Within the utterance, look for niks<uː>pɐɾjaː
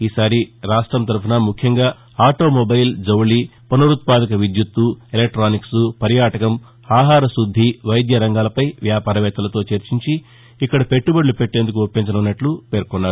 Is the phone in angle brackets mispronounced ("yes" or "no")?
yes